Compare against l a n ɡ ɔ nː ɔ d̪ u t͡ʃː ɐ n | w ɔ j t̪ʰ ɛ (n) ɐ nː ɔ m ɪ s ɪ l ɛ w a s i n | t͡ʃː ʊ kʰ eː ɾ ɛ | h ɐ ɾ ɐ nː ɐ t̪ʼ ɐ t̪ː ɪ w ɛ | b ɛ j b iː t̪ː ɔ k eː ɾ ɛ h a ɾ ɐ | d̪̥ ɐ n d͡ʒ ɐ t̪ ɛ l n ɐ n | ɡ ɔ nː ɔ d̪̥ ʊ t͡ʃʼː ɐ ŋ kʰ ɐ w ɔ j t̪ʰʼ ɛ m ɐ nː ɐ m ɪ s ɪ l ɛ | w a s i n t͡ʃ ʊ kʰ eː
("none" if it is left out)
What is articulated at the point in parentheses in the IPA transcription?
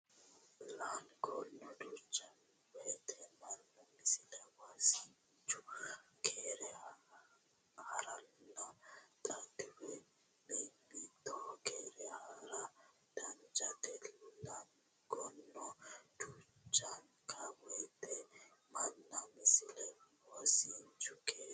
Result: m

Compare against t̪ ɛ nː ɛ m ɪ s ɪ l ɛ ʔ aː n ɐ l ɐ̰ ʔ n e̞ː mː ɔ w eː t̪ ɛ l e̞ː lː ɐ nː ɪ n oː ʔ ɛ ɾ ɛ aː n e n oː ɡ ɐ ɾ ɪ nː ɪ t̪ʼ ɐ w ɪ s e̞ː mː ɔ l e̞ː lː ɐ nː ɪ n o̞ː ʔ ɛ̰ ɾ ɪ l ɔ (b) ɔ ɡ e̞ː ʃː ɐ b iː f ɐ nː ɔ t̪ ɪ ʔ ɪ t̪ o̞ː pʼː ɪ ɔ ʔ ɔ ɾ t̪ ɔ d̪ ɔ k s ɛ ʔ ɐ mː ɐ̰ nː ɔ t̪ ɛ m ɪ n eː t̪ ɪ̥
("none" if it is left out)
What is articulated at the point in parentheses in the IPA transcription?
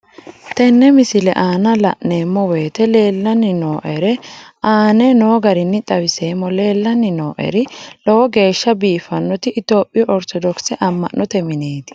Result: w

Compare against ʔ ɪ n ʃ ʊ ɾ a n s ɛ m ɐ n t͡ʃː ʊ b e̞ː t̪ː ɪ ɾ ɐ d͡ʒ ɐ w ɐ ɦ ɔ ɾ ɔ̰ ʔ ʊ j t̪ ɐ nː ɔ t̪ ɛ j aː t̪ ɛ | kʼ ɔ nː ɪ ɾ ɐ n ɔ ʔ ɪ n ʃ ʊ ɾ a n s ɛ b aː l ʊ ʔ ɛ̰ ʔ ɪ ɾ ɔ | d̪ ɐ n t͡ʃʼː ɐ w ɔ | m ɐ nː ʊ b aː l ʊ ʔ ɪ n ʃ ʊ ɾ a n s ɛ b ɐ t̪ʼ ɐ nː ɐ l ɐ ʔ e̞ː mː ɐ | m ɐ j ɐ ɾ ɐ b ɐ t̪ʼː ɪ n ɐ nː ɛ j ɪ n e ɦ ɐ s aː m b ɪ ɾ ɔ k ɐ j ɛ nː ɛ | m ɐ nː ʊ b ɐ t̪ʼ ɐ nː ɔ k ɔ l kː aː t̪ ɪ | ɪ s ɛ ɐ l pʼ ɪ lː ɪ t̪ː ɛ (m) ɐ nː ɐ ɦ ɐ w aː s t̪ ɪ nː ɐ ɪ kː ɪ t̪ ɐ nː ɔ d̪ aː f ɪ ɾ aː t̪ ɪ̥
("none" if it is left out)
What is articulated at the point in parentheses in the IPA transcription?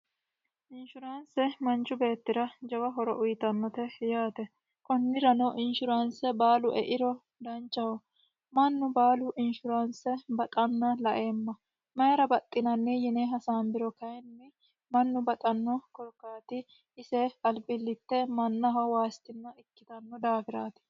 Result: m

